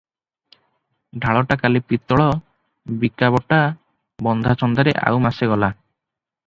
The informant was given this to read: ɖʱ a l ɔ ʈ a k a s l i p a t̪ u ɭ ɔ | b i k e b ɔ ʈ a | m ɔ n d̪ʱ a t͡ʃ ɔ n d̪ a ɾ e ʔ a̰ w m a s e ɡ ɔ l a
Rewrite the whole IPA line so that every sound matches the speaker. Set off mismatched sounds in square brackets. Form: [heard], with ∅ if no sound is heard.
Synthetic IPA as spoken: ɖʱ a [ɭ] ɔ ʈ a k a [∅] l i p [i] t̪ [ɔ] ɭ ɔ | b i k [a] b ɔ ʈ a | [b] ɔ n d̪ʱ a t͡ʃ ɔ n d̪ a ɾ e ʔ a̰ w m a s e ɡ ɔ l a